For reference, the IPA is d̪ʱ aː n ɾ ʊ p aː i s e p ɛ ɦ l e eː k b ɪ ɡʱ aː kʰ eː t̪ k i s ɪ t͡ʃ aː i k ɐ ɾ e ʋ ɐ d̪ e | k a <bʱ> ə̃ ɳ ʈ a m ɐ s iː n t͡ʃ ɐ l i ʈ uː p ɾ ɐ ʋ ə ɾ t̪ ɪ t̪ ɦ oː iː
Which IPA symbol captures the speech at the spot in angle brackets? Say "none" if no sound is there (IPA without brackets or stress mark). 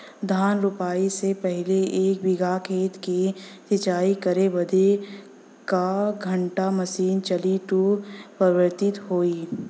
ɡʱ